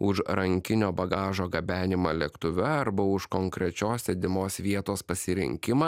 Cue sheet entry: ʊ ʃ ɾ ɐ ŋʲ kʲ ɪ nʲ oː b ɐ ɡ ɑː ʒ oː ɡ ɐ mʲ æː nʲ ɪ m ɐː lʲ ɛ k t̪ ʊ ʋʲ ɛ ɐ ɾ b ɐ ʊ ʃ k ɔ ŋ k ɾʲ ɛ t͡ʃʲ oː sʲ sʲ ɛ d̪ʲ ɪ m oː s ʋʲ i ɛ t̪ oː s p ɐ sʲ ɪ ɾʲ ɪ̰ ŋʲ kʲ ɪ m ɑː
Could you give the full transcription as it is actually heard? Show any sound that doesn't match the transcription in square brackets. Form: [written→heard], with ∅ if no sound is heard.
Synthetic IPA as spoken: ʊ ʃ ɾ ɐ ŋʲ kʲ ɪ nʲ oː b ɐ ɡ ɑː ʒ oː ɡ ɐ [mʲ→bʲ] æː nʲ ɪ m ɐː lʲ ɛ k t̪ ʊ ʋʲ ɛ ɐ ɾ b ɐ ʊ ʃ k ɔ ŋ k ɾʲ ɛ t͡ʃʲ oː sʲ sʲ ɛ d̪ʲ ɪ m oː s ʋʲ i ɛ t̪ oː s p ɐ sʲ ɪ ɾʲ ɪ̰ ŋʲ kʲ ɪ m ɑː